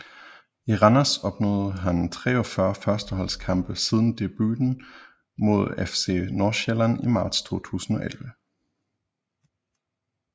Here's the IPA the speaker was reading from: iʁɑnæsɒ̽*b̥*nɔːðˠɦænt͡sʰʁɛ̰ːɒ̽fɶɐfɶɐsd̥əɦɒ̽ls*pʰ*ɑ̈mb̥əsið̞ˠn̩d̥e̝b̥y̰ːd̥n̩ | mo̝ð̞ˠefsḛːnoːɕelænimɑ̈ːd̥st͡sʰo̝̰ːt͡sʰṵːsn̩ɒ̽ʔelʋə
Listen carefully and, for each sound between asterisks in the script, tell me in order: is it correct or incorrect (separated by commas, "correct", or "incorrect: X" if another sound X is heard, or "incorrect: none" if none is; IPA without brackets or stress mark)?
correct, incorrect: kʰ